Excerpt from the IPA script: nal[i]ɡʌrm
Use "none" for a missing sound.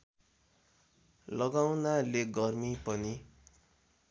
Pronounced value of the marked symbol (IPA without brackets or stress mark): e